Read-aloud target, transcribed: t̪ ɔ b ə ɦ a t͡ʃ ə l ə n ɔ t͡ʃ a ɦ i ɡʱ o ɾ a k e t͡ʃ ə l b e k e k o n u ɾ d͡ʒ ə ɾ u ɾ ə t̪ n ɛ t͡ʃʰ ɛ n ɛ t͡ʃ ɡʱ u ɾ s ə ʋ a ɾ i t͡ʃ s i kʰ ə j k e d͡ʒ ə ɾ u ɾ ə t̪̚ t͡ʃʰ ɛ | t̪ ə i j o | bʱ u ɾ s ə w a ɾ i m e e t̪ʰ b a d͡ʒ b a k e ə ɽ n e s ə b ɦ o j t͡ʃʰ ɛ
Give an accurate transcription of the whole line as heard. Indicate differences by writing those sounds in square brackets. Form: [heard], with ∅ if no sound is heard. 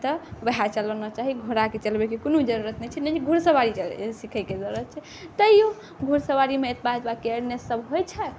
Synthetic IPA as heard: t̪ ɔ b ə ɦ a t͡ʃ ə l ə n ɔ t͡ʃ a ɦ i ɡʱ o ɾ a k e t͡ʃ ə l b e k e k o n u [∅] d͡ʒ ə ɾ u ɾ ə t̪ n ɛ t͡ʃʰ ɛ n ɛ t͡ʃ ɡʱ u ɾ s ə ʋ a ɾ i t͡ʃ s i kʰ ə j k e d͡ʒ ə ɾ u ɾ ə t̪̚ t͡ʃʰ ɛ | t̪ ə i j o | [ɡʱ] u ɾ s ə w a ɾ i m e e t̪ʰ b a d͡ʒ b a k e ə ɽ n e s ə b ɦ o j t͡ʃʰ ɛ